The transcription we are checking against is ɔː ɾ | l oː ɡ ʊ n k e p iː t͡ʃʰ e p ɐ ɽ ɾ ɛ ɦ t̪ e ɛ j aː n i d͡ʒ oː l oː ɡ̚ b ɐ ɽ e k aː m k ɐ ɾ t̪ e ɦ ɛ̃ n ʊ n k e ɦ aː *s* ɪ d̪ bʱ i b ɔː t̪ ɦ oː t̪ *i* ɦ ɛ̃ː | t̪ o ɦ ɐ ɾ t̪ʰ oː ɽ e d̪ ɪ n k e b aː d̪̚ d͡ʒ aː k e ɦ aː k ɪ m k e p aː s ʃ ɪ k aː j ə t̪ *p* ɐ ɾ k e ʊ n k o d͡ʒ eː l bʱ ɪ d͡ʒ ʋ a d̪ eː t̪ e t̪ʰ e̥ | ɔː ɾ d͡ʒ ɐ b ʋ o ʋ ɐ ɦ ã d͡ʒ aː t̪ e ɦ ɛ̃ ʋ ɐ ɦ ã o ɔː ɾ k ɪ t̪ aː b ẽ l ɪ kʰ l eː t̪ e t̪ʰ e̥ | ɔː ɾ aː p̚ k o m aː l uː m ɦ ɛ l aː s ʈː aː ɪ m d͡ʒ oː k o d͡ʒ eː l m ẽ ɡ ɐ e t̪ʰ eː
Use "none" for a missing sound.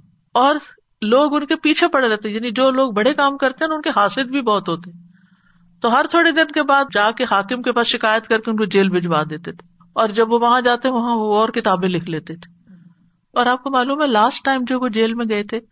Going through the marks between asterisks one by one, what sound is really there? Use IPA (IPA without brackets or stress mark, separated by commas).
s, e, k